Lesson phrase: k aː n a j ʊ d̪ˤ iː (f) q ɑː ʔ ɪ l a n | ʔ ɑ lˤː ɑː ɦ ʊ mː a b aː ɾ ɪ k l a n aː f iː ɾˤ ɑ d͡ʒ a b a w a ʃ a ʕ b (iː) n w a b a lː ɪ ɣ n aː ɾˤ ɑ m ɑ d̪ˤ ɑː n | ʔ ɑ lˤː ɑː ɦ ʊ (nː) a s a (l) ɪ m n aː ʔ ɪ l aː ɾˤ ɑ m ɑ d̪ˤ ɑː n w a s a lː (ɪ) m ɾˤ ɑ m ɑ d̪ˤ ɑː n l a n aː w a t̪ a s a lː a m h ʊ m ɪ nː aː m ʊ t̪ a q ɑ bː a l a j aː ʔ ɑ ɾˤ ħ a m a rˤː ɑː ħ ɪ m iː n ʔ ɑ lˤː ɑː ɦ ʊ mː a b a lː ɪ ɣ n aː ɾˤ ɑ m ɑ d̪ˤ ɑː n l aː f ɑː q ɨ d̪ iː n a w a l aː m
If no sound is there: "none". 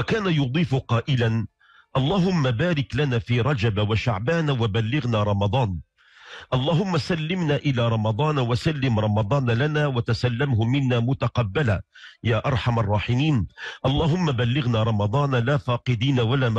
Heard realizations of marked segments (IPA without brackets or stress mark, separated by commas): f, aː, mː, lː, ɪ